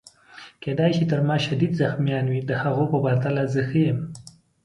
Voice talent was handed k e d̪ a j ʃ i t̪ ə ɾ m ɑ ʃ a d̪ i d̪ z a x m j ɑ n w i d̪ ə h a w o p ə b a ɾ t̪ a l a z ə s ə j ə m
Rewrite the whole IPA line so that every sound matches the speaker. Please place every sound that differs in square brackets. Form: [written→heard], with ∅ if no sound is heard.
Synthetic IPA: k e d̪ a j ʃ i t̪ ə ɾ m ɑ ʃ a d̪ i d̪ z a x m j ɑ n w i d̪ ə h a [w→ɣ] o p ə b a ɾ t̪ a l a z ə [s→x] ə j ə m